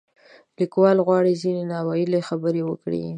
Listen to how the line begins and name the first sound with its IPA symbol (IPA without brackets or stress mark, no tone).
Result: l